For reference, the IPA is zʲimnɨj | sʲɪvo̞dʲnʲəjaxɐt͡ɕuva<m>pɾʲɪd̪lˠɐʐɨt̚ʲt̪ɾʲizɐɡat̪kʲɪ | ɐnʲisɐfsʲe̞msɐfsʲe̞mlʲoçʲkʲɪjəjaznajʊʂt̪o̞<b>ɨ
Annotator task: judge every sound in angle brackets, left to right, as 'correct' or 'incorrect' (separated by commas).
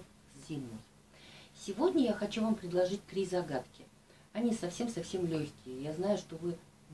correct, incorrect